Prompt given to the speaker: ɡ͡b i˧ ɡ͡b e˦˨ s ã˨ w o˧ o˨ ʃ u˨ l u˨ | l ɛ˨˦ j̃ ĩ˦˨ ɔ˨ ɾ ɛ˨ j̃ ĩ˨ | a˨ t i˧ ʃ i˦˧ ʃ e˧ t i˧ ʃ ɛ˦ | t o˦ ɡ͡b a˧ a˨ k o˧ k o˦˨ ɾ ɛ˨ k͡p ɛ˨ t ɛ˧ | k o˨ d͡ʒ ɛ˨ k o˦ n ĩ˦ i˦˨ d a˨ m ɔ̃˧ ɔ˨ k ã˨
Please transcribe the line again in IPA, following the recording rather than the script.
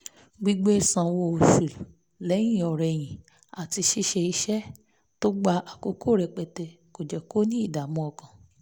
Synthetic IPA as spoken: ɡ͡b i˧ ɡ͡b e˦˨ s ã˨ w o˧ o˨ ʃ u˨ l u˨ | l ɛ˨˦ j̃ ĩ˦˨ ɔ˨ ɾ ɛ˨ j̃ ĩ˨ | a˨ t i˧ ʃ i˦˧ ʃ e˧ i˧ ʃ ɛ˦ | t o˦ ɡ͡b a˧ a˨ k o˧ k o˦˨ ɾ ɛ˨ k͡p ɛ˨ t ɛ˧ | k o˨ d͡ʒ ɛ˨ k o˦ n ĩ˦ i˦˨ d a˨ m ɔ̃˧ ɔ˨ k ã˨

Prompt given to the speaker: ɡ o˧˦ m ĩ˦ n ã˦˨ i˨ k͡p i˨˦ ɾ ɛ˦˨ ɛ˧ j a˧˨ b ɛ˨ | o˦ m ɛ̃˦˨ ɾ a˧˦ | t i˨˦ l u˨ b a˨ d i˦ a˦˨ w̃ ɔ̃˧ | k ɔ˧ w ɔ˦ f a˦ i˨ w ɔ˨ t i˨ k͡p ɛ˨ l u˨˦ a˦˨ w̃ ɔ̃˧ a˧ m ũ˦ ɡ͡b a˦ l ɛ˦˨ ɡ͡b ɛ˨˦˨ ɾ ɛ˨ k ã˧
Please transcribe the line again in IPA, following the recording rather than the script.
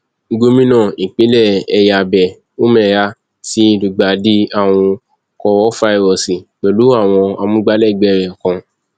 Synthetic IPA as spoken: ɡ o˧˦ m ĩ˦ n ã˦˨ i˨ k͡p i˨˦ l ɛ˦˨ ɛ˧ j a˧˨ b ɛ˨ | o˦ m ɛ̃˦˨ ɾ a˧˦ | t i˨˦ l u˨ ɡ͡b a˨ d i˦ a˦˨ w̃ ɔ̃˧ | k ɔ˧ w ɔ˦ f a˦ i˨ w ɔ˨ s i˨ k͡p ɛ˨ l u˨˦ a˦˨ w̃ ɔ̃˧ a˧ m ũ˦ ɡ͡b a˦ l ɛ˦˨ ɡ͡b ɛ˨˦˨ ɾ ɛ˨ k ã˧

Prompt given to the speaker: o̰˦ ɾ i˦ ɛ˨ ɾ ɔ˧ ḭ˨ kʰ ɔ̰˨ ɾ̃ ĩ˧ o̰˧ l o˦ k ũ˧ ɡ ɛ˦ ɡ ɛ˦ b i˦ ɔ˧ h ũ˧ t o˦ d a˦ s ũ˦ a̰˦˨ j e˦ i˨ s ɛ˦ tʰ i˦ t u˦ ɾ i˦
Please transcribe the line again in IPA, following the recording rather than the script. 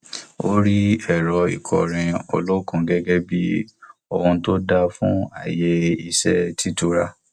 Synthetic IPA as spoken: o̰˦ ɾ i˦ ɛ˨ ɾ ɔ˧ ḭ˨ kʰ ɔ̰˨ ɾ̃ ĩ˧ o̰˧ l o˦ k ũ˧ ɡ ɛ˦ ɡ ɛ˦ b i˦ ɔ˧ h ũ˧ t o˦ d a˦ f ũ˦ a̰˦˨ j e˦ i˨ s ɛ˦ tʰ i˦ t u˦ ɾ a˦

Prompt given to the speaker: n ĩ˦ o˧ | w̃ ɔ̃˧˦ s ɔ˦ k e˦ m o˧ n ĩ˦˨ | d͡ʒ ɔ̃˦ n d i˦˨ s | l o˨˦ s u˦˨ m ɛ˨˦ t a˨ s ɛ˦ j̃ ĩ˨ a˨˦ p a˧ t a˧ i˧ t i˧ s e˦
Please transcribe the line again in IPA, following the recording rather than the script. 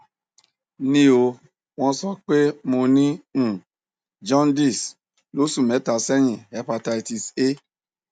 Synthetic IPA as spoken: n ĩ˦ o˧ | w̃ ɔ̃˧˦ s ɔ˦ k͡p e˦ m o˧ n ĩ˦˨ | d͡ʒ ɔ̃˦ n d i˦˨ s | l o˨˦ s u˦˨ m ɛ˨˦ t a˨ s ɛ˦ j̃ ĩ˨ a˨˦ p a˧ t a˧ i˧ t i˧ s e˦

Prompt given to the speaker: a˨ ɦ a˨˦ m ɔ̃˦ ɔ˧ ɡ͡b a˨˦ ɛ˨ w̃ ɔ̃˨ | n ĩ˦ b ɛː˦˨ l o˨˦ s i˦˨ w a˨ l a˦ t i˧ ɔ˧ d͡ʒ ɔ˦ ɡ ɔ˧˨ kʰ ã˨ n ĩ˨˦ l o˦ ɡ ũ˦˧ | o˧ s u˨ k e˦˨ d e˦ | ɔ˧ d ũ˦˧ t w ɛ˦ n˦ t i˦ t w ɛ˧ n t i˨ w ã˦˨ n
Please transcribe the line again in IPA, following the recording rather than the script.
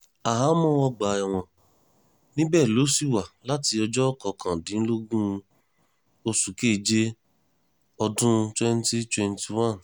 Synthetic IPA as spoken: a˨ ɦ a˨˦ m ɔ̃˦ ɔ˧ ɡ͡b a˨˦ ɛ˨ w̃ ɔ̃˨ | n ĩ˦ b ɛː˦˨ l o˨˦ s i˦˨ w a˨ l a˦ t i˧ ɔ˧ d͡ʒ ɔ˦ k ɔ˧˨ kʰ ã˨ d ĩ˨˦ l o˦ ɡ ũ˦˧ | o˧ s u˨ k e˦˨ d͡ʒ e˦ | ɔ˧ d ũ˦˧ t w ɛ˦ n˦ t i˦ t w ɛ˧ n t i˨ w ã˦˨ n

